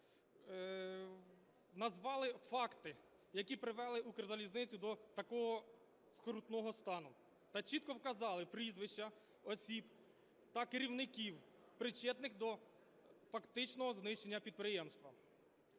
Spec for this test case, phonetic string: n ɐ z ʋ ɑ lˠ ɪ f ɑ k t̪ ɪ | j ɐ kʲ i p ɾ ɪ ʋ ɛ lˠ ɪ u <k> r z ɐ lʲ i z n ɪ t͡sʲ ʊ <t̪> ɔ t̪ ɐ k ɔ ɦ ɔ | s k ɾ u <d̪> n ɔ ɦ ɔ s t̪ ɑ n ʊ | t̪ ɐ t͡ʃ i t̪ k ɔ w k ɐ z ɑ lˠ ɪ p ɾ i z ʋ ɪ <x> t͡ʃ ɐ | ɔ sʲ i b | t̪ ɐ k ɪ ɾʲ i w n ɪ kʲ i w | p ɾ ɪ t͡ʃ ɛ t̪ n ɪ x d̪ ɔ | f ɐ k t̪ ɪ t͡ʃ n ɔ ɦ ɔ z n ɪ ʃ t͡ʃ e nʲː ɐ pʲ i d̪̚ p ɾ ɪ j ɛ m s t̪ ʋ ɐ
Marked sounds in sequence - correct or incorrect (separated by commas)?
correct, incorrect, incorrect, incorrect